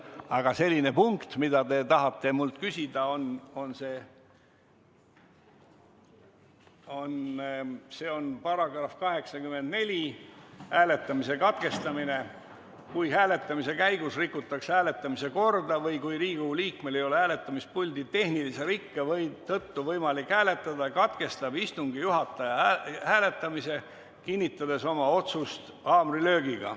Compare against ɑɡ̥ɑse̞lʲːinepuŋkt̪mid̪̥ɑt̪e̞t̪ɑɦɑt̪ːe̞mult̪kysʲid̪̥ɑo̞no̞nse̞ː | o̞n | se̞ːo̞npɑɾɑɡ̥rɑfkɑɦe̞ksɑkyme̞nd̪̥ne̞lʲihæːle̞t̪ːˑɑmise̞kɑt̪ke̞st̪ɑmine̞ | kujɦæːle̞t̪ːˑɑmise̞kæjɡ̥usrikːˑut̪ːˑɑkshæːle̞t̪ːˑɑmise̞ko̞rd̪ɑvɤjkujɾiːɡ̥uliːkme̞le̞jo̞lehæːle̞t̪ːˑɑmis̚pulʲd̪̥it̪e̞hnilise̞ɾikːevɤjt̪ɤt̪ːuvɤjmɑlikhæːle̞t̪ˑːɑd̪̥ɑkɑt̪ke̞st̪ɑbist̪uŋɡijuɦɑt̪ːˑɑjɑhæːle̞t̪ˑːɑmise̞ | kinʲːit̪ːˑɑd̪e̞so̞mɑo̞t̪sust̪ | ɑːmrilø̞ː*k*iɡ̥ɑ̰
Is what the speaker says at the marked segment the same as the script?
no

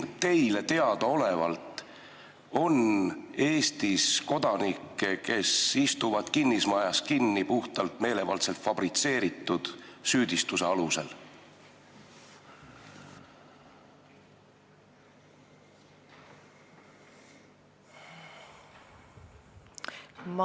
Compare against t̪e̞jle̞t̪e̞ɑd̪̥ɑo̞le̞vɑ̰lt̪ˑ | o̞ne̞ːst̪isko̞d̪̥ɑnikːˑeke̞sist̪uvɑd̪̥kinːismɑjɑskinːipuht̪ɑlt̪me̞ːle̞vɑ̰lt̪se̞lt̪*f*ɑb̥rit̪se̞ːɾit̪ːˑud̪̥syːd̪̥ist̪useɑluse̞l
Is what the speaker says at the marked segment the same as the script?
yes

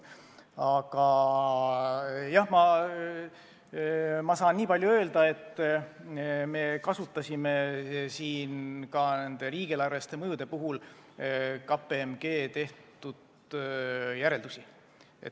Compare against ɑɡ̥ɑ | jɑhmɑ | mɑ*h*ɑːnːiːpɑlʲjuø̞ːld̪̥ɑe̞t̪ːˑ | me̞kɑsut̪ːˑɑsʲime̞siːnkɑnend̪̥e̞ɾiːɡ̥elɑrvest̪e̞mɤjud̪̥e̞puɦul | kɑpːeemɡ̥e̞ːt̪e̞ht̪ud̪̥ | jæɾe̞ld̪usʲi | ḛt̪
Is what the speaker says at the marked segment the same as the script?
no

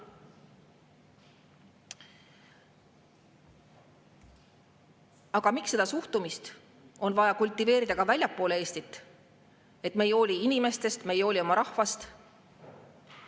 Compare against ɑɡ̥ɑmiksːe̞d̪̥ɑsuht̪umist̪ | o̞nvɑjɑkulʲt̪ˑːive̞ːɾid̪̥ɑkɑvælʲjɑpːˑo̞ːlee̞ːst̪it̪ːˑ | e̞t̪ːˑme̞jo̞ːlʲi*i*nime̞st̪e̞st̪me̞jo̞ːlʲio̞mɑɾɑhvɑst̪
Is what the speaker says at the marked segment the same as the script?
yes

